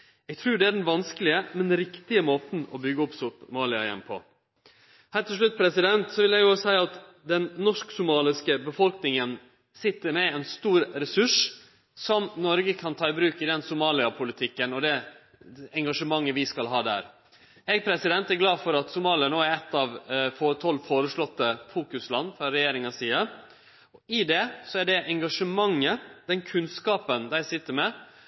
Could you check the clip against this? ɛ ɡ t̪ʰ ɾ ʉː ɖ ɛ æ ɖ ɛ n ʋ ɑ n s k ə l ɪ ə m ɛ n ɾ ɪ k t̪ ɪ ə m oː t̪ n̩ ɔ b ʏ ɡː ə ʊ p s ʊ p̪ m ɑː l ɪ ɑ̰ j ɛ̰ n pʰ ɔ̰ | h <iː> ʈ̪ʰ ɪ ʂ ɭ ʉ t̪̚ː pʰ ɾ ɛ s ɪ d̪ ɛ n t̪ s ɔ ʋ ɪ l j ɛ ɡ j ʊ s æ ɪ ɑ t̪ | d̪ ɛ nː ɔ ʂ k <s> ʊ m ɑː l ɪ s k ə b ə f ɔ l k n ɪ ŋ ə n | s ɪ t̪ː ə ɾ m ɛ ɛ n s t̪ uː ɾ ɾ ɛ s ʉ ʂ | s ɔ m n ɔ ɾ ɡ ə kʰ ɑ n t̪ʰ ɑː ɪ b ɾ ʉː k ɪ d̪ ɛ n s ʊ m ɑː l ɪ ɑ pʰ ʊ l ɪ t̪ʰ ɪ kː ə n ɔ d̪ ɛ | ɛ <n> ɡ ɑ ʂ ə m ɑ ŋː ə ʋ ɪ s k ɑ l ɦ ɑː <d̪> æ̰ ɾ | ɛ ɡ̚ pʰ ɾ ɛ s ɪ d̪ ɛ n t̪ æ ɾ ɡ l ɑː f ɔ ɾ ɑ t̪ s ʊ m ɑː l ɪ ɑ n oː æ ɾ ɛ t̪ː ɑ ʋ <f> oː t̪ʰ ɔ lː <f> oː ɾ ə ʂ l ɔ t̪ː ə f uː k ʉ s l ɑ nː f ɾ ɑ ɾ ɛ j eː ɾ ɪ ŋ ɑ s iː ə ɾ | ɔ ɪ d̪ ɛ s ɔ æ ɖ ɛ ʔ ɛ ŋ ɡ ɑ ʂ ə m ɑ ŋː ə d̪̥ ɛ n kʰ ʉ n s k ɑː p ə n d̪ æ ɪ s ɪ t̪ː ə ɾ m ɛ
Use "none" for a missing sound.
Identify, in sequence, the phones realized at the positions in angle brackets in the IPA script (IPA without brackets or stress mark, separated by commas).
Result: æː, s, ŋ, d̪, f, f